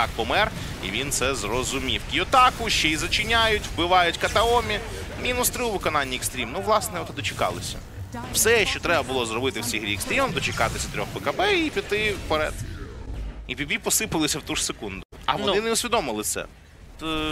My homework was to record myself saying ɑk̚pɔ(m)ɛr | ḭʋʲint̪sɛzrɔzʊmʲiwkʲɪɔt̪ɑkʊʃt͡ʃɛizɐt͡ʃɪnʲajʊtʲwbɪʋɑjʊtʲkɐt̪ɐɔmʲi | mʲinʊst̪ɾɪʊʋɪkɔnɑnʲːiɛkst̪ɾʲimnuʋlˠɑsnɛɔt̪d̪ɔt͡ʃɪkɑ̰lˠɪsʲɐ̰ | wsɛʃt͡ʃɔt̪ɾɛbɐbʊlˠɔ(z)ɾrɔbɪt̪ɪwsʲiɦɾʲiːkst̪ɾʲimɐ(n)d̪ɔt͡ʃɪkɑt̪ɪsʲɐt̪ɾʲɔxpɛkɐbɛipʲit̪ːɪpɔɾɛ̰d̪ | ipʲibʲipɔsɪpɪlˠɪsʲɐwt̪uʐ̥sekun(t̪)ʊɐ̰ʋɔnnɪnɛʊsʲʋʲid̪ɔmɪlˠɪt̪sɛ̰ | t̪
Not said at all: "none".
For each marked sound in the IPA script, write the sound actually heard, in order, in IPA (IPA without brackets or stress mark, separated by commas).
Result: m, z, m, d̪